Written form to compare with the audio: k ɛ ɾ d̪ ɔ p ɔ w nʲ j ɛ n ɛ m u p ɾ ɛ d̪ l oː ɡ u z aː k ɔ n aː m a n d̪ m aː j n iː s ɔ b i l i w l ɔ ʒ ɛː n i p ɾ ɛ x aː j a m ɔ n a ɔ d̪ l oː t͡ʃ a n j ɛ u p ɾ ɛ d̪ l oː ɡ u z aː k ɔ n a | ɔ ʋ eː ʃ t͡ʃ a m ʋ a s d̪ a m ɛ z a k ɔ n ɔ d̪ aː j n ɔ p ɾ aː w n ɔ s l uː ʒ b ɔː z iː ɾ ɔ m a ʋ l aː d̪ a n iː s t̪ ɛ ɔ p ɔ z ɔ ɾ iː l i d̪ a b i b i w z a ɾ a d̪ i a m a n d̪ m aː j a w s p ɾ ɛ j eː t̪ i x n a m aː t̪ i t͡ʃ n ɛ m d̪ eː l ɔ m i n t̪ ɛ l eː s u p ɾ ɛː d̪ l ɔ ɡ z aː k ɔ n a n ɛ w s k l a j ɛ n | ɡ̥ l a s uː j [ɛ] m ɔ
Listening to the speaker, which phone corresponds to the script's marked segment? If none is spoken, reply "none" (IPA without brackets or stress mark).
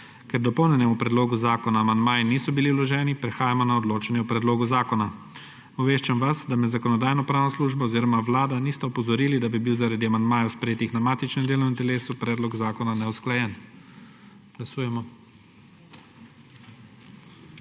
ɛ